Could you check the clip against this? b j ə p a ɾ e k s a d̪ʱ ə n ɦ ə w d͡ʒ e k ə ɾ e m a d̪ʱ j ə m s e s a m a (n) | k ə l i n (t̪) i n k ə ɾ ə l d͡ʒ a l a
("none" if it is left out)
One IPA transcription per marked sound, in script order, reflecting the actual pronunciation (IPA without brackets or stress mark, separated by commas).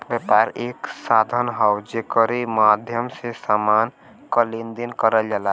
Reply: n, d̪